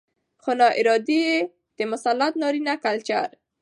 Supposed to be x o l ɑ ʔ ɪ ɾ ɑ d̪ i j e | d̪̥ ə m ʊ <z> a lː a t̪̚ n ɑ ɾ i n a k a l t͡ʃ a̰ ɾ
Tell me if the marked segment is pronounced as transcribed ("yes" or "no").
no